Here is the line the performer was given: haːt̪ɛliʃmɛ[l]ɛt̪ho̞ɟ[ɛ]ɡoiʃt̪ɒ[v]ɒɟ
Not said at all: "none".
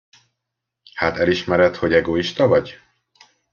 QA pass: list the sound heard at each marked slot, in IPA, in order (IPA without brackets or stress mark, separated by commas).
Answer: ɾ, ɛ, v